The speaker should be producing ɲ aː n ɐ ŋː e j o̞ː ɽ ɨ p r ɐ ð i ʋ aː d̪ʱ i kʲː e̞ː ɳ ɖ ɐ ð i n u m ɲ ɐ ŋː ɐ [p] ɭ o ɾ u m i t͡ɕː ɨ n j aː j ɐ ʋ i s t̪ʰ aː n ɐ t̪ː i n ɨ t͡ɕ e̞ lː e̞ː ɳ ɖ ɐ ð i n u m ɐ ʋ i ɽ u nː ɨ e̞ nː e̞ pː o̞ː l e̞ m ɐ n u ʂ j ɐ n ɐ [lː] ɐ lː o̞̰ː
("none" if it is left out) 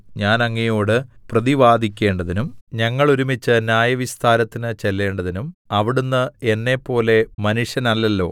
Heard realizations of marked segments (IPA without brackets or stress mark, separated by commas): none, lː